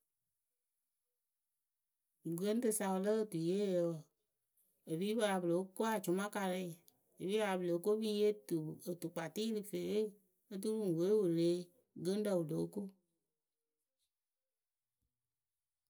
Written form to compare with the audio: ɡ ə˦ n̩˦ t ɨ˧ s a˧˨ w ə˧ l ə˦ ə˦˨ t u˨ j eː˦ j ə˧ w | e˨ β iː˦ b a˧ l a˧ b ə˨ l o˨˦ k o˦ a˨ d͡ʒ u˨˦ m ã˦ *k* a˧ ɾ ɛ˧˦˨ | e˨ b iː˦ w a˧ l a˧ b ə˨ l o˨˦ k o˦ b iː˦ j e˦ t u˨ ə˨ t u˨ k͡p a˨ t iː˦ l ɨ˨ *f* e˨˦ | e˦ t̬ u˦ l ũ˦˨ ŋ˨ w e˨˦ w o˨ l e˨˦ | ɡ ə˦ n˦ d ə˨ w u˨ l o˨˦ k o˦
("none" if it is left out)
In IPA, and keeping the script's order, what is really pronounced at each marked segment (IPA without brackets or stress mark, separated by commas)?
k, f